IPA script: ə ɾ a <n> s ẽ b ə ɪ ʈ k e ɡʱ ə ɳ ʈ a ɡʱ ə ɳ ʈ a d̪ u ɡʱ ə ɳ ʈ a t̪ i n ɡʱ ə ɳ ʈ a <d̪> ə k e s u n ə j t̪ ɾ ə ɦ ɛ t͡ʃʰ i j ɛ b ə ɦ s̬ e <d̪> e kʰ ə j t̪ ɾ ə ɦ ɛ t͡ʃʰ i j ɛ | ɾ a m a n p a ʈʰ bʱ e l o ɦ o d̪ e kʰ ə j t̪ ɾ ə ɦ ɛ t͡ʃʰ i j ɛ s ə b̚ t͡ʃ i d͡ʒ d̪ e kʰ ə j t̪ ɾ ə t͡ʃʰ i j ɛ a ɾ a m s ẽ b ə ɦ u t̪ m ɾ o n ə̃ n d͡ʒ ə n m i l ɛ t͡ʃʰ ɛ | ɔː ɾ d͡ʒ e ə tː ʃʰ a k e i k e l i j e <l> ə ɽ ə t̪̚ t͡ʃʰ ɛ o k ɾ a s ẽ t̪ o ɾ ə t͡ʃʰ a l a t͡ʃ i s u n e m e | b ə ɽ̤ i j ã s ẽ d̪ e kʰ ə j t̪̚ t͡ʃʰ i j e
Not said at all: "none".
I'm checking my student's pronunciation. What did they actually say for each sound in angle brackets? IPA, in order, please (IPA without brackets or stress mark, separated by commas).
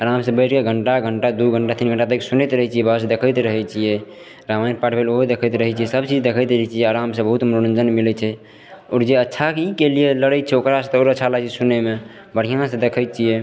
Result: m, t̪, d̪, l